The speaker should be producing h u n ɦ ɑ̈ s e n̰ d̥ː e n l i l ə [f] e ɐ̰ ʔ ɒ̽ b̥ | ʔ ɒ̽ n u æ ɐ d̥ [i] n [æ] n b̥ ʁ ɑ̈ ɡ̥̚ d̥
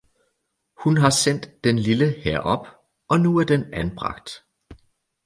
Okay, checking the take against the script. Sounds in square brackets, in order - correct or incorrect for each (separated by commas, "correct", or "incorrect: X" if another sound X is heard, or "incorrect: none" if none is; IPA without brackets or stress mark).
incorrect: h, incorrect: e, correct